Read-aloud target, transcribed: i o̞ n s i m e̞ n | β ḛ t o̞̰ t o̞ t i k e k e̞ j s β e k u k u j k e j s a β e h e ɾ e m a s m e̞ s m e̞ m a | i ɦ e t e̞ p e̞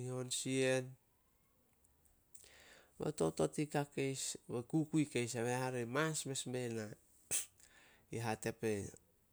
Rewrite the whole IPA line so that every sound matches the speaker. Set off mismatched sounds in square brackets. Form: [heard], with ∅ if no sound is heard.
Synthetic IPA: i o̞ n s i [∅] e̞ n | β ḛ t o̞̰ t o̞ t i k [a] k e̞ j s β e k u k u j k e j s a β e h [a] ɾ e m a s m e̞ s m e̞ [n] a | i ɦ [a] t e̞ p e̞